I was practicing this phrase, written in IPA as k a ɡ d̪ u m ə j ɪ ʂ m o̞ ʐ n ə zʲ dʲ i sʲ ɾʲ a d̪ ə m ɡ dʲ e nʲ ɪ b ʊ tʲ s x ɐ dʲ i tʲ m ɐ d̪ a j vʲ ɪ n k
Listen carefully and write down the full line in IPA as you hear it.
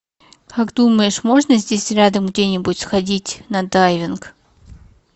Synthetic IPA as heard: k a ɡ d̪ u m ə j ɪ ʂ m o̞ ʐ n ə zʲ dʲ e sʲ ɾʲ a d̪ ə m ɡ dʲ e nʲ ɪ b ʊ tʲ s x ɐ dʲ i tʲ n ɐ d̪ a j vʲ ɪ n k